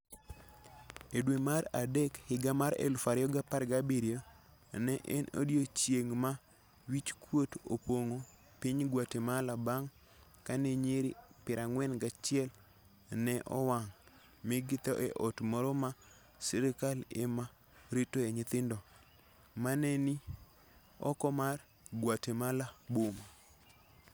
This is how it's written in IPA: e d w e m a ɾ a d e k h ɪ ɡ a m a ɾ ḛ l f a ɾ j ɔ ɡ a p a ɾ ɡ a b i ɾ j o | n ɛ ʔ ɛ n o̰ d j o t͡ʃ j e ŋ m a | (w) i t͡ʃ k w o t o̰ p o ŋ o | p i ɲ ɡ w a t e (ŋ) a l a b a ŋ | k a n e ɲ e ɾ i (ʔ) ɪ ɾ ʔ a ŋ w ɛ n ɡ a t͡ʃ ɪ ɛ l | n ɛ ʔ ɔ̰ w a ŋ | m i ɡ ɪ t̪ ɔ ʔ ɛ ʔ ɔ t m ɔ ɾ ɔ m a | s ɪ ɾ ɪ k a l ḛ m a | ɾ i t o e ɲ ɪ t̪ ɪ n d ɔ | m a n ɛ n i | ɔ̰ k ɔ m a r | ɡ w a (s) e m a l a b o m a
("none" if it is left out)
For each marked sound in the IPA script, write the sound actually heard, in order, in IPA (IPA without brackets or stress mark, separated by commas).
w, m, p, t